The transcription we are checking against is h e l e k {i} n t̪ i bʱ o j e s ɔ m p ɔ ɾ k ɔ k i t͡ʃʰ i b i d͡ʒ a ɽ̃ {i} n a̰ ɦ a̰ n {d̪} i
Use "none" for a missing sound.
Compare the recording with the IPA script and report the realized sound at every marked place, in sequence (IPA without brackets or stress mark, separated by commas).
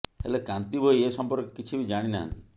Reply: a, i, t̪